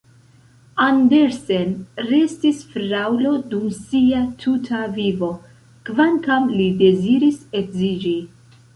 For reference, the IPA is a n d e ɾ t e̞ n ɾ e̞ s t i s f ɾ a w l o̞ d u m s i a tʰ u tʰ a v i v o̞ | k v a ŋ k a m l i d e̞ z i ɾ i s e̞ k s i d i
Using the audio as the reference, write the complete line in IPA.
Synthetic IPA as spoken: a n d e ɾ s e̞ n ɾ e̞ s t i s f ɾ a w l o̞ d u m s i a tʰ u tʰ a v i v o̞ | k v a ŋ k a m l i d e̞ z i ɾ i s e̞ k z i d͡ʒ i